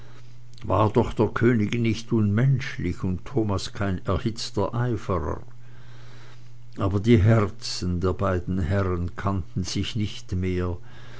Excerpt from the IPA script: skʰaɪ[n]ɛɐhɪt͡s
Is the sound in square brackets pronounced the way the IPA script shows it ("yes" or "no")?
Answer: yes